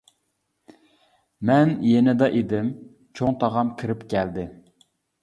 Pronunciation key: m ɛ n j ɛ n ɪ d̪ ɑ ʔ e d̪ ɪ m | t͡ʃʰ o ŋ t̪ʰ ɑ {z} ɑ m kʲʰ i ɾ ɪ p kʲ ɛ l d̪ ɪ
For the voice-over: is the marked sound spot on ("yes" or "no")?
no